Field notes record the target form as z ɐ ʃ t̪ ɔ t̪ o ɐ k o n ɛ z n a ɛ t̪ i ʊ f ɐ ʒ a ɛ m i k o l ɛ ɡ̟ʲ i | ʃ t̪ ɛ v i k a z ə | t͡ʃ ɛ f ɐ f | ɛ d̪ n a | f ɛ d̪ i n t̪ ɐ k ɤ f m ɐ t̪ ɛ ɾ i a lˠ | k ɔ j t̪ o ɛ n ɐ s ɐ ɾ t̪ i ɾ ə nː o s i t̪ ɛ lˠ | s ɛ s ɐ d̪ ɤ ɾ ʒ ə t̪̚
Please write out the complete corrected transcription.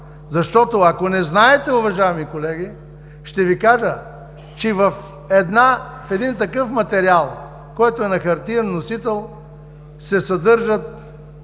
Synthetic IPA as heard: z ɐ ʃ t̪ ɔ t̪ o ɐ k o n ɛ z n a ɛ t̪ ɛ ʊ v ɐ ʒ a ɛ m i k o l ɛ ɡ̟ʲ i | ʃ t̪ ɛ v i k a ʒ ə | t͡ʃ ɛ v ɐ f | ɛ d̪ n a | f ɛ d̪ i n t̪ ɐ k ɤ f m ɐ t̪ ɛ ɾ i a lˠ | k ɔ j t̪ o ɛ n ɐ x ɐ ɾ t̪ i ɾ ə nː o s i t̪ ɛ lˠ | s ɛ s ɐ d̪ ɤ ɾ ʒ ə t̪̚